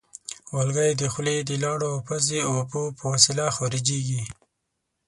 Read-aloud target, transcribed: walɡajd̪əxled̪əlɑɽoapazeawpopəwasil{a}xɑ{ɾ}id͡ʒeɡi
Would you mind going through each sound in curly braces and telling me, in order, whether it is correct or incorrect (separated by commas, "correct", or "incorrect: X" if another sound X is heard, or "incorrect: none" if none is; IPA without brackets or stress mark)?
correct, correct